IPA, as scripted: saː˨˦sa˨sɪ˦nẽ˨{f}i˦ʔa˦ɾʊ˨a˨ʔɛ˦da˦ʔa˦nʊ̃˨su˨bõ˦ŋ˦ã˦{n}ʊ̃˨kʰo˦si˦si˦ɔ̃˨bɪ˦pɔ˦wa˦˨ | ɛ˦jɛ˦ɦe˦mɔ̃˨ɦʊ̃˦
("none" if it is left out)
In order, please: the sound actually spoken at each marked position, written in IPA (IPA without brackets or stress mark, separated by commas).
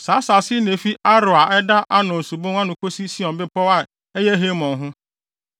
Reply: f, n